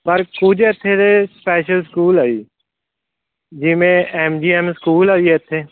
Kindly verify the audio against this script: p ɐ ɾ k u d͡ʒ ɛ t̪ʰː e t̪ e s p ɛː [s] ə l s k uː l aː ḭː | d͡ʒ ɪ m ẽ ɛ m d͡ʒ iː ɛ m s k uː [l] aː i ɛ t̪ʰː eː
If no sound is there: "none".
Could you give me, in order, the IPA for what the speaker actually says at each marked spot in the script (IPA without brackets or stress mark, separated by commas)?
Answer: ʃ, l